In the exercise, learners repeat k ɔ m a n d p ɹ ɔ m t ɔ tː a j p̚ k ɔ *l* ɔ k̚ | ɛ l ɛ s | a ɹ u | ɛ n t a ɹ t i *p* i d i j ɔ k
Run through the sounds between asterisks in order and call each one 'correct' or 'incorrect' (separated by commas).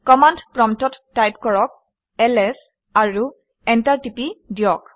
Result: incorrect, correct